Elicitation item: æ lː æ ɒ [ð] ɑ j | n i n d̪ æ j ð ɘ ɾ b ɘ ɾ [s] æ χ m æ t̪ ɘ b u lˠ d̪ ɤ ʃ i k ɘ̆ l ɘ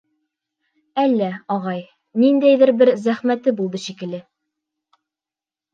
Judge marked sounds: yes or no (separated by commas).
no, no